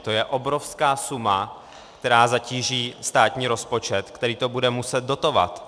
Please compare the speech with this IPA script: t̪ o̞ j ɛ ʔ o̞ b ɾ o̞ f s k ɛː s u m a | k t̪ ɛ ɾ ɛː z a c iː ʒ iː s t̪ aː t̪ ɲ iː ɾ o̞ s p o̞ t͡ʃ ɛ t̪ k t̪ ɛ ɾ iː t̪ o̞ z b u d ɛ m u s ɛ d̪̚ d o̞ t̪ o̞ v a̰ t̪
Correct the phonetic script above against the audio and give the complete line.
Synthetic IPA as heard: t̪ o̞ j ɛ ʔ o̞ b ɾ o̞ f s k aː s u m a | k t̪ ɛ ɾ aː z a c iː ʒ iː s t̪ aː t̪ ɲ iː ɾ o̞ s p o̞ t͡ʃ ɛ t̪ k t̪ ɛ ɾ iː t̪ o̞ b u d ɛ m u s ɛ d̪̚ d o̞ t̪ o̞ v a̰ t̪